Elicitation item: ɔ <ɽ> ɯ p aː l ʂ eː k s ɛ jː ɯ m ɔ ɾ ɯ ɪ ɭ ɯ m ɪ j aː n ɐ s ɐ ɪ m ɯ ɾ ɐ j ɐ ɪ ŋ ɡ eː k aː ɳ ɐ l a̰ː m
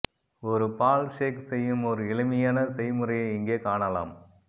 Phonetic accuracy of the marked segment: incorrect: ɾ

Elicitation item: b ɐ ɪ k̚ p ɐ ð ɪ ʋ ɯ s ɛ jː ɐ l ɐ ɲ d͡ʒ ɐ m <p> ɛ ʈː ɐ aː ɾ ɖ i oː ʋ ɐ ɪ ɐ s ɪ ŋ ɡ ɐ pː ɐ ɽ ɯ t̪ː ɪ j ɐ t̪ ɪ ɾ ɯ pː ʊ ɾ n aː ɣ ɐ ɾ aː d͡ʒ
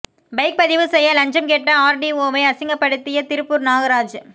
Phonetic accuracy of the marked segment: incorrect: k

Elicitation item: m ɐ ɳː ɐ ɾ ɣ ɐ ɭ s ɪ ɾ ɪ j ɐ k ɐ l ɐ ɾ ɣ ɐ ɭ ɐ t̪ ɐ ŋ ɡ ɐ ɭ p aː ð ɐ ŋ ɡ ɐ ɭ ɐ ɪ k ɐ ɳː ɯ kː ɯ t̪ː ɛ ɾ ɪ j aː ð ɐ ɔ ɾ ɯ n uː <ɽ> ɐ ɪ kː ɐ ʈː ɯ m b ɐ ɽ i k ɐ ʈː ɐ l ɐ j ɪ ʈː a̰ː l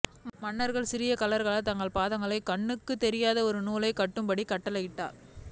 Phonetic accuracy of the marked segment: incorrect: l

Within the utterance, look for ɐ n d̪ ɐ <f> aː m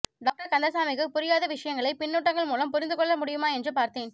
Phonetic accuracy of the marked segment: incorrect: s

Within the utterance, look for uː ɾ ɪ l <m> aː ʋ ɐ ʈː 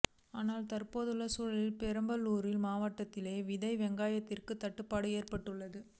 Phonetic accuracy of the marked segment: correct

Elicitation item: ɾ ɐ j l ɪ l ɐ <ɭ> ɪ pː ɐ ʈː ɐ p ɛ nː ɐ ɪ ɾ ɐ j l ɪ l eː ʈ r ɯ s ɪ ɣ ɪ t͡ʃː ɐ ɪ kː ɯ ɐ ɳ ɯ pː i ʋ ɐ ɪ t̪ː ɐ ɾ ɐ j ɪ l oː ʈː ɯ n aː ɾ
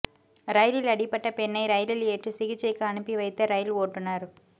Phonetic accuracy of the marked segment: incorrect: ɽ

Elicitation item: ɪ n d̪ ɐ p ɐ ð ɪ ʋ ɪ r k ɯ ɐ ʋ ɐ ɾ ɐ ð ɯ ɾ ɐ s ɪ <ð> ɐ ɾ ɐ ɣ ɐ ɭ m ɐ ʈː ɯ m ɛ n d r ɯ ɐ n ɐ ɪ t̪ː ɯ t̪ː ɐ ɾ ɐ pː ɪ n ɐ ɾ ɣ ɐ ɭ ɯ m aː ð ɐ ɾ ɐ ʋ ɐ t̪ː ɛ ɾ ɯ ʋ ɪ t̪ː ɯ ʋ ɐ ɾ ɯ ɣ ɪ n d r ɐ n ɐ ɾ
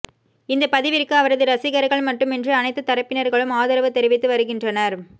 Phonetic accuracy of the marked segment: incorrect: ɣ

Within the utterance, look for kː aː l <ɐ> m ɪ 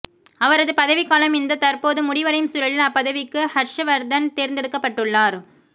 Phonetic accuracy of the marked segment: correct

